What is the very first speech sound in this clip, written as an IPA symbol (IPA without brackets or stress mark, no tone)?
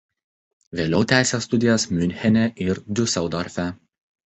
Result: ʋʲ